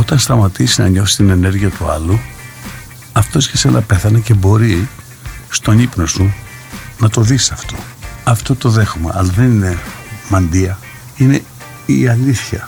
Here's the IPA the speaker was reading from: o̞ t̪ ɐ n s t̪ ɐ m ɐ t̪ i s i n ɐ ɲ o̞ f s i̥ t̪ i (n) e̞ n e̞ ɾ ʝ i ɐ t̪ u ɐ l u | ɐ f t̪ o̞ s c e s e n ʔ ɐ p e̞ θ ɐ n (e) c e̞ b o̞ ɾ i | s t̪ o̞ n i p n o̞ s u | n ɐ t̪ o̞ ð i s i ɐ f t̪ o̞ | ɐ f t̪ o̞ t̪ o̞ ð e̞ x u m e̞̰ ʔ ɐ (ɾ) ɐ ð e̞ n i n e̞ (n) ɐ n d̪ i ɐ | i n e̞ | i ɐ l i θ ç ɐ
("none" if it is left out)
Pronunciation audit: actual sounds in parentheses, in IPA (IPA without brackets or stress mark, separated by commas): n, e, l, m